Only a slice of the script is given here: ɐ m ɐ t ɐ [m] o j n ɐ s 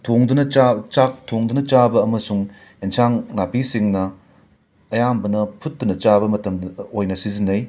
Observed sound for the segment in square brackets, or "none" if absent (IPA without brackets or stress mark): m